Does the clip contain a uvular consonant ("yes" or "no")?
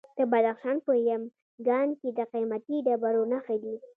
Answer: yes